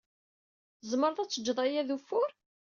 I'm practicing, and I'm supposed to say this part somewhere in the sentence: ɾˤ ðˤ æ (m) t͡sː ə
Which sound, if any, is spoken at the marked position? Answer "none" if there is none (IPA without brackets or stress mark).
none